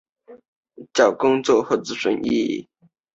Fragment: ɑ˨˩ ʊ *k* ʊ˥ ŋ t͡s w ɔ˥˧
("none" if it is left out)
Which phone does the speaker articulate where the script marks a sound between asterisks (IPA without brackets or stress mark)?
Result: k